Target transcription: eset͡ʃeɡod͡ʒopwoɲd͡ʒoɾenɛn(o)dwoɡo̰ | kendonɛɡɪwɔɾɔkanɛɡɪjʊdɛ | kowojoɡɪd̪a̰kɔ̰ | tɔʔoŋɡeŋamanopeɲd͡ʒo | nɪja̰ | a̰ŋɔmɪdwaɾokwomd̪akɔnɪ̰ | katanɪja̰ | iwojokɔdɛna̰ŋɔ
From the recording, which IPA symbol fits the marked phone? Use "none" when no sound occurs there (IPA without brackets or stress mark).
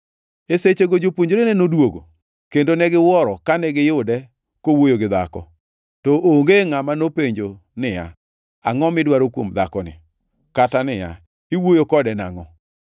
o